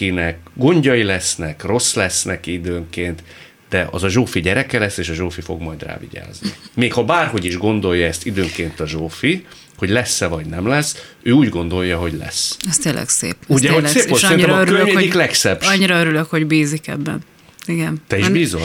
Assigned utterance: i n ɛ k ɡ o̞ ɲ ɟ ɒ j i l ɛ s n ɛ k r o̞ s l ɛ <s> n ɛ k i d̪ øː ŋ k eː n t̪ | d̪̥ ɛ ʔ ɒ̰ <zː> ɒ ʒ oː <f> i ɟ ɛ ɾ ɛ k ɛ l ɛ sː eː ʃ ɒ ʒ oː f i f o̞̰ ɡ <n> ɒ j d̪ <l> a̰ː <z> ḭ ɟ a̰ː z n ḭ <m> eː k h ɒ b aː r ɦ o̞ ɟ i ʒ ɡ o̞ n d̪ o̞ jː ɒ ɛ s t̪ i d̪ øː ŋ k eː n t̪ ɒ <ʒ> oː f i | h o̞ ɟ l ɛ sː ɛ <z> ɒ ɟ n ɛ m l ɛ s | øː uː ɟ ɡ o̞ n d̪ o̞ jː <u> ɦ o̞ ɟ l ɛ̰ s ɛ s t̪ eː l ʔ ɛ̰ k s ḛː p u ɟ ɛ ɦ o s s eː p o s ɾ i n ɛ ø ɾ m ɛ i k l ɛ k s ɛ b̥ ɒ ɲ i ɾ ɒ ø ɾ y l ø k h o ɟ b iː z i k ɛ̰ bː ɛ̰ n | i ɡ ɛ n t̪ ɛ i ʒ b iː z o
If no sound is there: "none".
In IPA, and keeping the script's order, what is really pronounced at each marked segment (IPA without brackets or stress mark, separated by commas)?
s, z, f, m, r, v, m, ʒ, v, ɒ